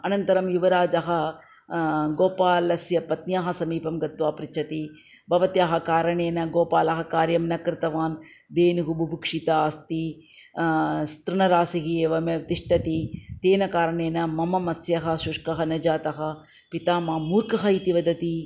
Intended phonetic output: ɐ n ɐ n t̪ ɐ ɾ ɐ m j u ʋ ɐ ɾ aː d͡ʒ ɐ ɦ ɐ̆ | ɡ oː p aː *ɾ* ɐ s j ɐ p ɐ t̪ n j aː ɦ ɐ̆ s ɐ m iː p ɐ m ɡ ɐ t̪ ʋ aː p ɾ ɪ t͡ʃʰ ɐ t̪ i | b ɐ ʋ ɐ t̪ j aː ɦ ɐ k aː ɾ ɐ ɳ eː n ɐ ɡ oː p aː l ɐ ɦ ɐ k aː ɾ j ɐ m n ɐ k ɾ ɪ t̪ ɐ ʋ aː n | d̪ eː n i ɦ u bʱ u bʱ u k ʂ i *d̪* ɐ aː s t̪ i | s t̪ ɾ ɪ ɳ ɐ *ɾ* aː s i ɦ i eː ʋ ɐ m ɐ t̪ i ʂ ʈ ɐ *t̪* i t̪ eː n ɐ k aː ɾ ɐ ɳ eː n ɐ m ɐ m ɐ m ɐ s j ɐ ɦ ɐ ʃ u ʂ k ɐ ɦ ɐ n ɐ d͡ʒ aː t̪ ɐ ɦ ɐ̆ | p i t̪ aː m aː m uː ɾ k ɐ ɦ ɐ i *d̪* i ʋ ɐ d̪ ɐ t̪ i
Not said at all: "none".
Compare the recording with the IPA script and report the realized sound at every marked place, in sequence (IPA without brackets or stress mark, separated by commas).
l, t̪, ɾ, t̪, t̪